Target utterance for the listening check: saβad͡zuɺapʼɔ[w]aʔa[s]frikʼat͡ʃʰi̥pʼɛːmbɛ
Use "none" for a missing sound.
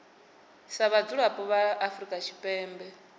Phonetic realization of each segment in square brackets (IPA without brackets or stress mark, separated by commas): β, none